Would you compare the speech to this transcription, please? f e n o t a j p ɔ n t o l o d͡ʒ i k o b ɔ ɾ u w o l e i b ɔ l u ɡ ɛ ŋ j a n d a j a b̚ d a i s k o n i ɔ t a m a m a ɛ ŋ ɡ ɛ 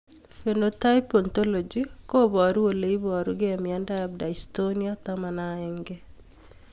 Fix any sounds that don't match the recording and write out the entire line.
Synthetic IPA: f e n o t a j p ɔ n t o l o d͡ʒ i k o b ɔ ɾ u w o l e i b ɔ ɾ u ɡ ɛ m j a n d a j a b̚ d a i s t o n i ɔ t a m a n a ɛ ŋ ɡ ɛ